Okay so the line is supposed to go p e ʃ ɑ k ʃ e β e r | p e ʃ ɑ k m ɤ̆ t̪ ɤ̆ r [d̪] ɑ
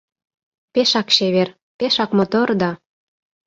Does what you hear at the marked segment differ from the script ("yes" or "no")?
no